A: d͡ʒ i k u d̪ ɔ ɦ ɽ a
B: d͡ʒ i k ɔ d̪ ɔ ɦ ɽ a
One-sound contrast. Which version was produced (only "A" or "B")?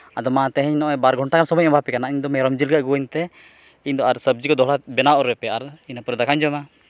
B